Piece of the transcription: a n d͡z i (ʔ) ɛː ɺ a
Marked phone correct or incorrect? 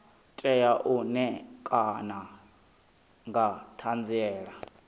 incorrect